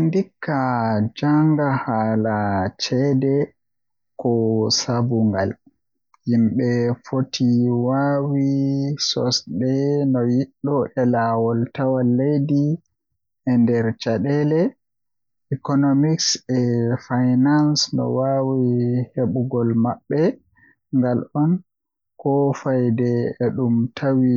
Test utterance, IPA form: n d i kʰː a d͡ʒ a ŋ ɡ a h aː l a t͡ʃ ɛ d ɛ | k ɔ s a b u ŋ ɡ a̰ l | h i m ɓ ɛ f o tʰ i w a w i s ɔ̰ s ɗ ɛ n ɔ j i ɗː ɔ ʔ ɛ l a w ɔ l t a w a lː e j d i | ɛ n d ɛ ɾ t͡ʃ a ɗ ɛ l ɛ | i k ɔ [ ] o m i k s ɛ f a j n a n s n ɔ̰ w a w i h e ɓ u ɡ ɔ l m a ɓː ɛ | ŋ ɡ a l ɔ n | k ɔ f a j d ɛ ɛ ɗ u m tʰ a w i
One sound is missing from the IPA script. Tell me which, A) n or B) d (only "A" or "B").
A